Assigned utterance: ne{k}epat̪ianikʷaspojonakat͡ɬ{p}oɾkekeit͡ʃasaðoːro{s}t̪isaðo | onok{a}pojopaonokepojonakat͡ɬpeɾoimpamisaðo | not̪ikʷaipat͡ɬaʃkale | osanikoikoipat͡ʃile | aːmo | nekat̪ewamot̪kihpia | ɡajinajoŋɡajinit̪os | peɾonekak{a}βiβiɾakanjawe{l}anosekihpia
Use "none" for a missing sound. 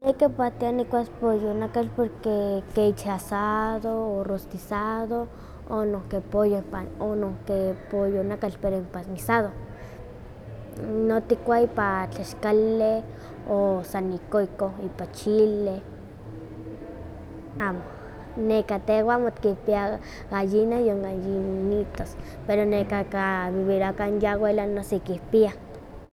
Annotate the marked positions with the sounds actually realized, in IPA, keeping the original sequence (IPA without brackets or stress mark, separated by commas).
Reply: k, p, s, e, a, l